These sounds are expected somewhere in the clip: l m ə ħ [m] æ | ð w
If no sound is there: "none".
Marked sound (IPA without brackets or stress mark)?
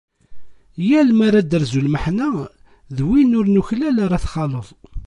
n